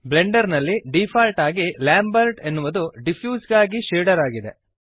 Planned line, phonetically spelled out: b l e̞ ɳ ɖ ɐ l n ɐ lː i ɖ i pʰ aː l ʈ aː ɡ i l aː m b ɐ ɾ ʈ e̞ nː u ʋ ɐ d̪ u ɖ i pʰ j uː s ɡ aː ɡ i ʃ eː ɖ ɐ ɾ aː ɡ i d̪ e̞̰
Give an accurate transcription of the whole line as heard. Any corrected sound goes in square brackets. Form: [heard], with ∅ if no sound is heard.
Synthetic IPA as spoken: b l e̞ ɳ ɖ ɐ [ɾ] n ɐ lː i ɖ i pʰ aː l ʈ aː ɡ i l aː m b ɐ ɾ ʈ e̞ nː u ʋ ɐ d̪ u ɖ i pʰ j uː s ɡ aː ɡ i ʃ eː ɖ ɐ ɾ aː ɡ i d̪ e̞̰